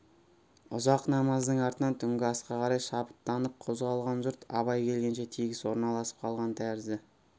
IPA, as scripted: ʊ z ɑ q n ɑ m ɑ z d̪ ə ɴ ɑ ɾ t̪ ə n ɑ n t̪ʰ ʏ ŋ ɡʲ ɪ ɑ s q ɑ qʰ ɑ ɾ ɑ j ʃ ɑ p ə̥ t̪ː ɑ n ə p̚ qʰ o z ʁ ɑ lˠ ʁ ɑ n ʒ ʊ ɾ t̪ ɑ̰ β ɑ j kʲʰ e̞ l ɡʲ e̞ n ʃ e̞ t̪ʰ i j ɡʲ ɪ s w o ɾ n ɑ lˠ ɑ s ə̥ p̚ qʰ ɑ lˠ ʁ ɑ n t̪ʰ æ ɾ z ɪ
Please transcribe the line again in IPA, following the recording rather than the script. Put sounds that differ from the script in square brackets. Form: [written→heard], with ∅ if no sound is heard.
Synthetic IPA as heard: ʊ z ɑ q n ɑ m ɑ z d̪ ə ɴ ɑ ɾ t̪ ə n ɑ n t̪ʰ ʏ ŋ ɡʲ ɪ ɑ s q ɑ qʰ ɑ ɾ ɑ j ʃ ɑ p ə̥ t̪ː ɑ n ə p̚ qʰ o z ʁ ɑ lˠ ʁ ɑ n ʒ ʊ ɾ t̪ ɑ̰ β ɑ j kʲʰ e̞ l ɡʲ e̞ n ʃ e̞ t̪ʰ i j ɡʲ ɪ s w o ɾ n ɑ lˠ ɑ s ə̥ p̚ qʰ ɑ lˠ ʁ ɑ n t̪ʰ æ ɾ z ɪ